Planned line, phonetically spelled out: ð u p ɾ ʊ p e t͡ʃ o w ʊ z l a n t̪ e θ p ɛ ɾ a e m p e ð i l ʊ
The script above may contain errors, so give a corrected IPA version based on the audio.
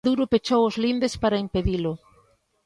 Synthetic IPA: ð u ɾ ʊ p e t͡ʃ o w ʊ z l i n d̪ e s p a ɾ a i m p e ð i l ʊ